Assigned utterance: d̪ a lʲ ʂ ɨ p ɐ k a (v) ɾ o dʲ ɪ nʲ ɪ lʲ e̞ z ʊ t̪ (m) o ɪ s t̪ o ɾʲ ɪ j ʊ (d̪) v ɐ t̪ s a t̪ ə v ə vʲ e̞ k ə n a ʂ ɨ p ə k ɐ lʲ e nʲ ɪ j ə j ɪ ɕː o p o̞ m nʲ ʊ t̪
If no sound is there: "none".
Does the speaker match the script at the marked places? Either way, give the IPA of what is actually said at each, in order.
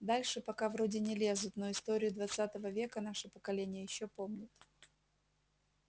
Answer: v, n, d̪

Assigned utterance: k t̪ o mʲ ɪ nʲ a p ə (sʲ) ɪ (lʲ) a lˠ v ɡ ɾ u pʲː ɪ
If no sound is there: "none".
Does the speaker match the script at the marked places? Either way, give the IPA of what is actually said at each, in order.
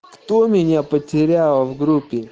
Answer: tʲ, ɾʲ

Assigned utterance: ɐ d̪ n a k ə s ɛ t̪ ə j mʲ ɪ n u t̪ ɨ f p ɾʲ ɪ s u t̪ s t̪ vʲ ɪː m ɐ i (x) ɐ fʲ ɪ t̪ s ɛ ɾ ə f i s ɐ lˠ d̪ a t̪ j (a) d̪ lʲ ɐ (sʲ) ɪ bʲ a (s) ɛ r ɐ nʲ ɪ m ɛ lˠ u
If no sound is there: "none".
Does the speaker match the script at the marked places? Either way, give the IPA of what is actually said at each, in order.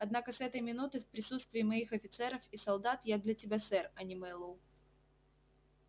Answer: x, a, tʲ, s

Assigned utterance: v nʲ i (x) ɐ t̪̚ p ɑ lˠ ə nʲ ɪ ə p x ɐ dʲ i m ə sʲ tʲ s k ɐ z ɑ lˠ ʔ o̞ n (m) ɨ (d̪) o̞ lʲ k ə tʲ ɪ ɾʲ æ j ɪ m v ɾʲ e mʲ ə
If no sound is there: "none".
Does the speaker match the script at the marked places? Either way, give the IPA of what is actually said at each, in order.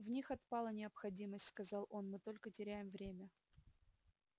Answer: x, m, t̪

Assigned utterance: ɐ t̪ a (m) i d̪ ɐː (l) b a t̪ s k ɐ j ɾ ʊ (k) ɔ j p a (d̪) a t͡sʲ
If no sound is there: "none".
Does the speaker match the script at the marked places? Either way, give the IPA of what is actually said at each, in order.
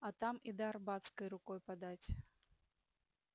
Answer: m, r, k, d̪

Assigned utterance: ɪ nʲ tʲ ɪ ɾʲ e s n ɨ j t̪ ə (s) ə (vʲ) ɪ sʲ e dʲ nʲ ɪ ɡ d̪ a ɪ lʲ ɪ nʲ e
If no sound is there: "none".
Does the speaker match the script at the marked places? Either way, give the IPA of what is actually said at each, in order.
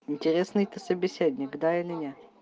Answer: s, bʲ

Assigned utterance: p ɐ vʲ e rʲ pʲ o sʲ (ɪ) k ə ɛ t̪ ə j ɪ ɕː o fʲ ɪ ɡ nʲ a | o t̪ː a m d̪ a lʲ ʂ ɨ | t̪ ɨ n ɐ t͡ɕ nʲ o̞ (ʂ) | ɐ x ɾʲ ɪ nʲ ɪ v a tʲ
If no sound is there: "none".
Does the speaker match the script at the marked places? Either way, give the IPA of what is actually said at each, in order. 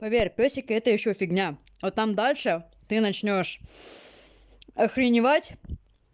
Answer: ɪ, ʂ

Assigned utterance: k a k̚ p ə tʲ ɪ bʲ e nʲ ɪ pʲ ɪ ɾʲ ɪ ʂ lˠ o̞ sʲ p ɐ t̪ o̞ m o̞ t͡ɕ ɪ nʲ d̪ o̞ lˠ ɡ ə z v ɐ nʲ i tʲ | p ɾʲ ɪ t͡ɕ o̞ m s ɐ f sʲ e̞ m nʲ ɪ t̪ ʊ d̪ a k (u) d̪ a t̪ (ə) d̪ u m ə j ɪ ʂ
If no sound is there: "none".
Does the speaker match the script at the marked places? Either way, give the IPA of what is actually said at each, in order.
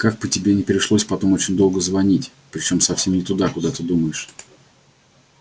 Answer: ʊ, ə

